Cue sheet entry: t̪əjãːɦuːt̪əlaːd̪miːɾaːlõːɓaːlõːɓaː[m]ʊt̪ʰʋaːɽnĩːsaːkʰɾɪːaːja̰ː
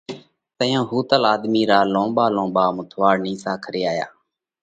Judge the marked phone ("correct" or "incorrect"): correct